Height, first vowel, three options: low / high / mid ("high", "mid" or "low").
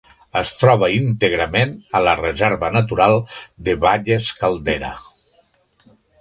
mid